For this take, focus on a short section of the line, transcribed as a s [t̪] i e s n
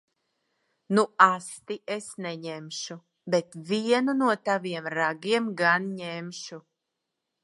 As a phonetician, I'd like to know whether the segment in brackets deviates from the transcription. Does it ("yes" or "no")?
no